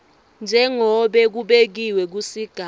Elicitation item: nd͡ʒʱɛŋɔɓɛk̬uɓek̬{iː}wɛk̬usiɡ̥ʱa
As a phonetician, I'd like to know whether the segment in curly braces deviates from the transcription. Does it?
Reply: yes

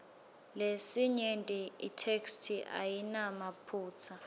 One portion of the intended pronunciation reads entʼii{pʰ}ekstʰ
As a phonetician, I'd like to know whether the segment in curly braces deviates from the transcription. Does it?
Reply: yes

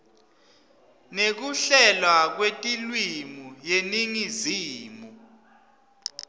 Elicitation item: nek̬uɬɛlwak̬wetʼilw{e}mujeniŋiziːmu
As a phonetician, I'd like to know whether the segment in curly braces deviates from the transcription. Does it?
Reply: yes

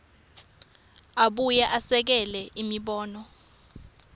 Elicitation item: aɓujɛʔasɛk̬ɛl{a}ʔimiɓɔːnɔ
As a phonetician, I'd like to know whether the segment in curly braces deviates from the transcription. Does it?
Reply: yes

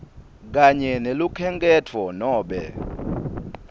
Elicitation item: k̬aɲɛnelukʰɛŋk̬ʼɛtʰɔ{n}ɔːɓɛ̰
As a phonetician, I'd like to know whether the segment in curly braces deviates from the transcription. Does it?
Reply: no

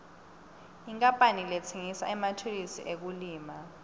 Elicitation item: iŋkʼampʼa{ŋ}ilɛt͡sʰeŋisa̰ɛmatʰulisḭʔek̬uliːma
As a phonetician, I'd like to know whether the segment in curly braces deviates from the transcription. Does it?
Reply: yes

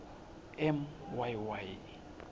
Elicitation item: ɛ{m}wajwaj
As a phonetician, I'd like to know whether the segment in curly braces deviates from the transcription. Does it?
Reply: no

